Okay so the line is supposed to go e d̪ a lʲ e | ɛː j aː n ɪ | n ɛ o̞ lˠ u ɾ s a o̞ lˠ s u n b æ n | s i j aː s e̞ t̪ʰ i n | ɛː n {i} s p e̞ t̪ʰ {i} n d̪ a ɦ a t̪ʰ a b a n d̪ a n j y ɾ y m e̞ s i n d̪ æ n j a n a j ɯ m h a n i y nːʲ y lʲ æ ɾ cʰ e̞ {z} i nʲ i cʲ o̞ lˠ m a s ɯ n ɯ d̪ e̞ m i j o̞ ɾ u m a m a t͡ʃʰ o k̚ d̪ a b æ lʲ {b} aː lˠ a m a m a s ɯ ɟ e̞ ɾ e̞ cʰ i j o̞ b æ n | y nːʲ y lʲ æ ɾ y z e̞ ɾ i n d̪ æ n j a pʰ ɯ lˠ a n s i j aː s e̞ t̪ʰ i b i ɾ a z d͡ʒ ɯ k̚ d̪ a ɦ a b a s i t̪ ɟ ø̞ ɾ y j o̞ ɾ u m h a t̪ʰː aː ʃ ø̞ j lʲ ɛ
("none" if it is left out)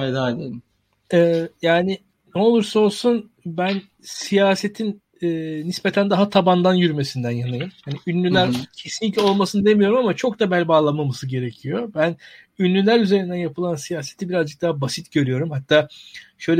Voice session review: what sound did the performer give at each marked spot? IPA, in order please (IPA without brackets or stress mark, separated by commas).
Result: i, æ, s, b